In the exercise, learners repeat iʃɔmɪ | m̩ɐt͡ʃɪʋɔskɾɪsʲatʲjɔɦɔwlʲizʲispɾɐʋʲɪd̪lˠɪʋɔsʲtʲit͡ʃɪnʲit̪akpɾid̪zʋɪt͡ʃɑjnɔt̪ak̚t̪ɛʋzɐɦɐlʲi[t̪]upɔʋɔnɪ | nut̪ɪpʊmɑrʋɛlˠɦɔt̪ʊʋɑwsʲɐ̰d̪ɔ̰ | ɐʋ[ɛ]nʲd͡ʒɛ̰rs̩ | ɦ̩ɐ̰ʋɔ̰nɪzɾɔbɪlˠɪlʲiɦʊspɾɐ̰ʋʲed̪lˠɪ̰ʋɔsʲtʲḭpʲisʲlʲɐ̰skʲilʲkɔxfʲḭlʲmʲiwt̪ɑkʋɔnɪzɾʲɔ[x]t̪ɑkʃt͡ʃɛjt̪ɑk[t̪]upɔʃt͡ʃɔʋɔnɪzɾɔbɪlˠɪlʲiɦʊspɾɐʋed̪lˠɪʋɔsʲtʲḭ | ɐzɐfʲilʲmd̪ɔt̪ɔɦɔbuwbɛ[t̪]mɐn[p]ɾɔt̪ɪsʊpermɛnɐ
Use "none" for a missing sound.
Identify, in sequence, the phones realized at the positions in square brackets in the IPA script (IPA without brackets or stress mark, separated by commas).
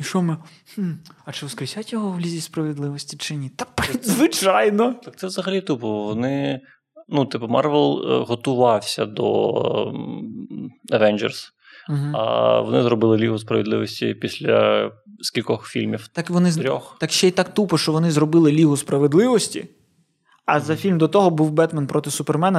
t̪, ɛ, x, t̪, t̪, p